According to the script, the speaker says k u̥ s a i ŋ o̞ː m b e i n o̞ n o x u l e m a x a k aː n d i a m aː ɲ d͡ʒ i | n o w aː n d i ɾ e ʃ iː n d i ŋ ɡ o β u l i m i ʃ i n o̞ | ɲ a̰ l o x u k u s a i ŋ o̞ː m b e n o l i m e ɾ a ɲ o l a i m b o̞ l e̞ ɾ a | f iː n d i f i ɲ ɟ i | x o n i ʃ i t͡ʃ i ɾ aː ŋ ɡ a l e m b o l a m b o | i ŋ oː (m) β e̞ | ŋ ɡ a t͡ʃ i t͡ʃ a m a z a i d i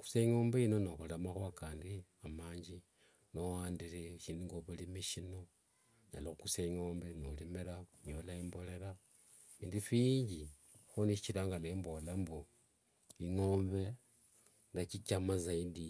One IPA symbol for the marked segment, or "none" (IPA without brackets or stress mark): m